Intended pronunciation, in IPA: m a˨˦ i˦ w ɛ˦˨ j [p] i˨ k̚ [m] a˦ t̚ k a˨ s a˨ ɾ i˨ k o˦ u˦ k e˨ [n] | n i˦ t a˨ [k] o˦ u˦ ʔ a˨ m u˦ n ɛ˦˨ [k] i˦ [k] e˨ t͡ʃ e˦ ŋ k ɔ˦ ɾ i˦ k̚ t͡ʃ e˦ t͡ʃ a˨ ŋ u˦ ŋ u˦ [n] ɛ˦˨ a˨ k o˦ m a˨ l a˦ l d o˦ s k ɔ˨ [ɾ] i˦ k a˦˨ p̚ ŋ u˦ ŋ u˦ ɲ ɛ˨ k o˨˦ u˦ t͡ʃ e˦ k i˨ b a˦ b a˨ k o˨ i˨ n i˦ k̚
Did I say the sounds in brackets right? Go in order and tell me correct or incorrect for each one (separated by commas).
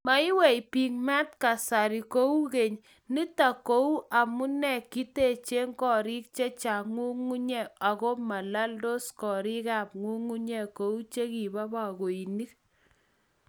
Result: correct, correct, incorrect, correct, correct, incorrect, incorrect, correct